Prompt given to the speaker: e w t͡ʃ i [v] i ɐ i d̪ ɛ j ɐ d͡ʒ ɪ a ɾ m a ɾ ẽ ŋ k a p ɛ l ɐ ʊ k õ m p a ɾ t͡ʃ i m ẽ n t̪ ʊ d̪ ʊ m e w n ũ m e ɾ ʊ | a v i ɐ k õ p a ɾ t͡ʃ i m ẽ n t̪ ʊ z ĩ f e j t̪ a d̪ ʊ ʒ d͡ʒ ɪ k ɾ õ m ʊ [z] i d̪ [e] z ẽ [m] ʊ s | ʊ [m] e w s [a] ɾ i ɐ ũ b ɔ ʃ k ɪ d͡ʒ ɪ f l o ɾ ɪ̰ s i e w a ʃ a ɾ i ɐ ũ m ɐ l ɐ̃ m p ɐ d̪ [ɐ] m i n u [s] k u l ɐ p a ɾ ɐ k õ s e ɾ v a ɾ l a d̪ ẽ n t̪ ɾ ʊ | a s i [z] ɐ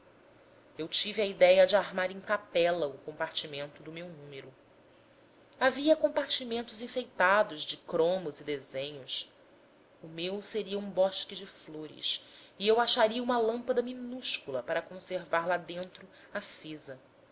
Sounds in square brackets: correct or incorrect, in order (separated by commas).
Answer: correct, correct, correct, incorrect, correct, incorrect, correct, incorrect, correct